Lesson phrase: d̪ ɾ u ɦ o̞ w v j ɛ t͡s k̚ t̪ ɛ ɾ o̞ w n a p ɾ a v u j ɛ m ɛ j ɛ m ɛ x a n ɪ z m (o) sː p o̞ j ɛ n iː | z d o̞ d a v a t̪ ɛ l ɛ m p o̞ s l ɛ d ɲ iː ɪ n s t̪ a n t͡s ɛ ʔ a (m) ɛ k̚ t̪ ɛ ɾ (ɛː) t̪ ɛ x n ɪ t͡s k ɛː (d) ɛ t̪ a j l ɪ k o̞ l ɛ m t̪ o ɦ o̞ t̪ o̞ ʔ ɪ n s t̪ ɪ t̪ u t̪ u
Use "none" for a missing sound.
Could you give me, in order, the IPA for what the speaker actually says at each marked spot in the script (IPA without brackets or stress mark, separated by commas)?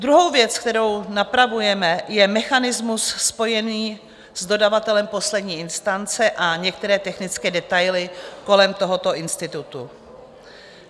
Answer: u, ɲ, ɛː, d